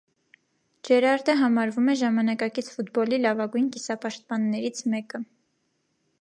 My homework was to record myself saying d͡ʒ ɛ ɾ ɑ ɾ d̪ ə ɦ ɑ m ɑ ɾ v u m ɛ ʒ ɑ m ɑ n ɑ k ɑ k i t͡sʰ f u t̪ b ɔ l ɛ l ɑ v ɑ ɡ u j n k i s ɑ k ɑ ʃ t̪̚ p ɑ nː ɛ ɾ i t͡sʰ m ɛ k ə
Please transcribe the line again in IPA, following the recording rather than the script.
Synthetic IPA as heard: d͡ʒ ɛ ɾ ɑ ɾ d̪ ə ɦ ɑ m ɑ ɾ v u m ɛ ʒ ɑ m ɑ n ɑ k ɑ k i t͡sʰ f u t̪ b ɔ l i l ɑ v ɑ ɡ u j n k i s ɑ p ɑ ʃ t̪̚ p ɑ nː ɛ ɾ i t͡sʰ m ɛ k ə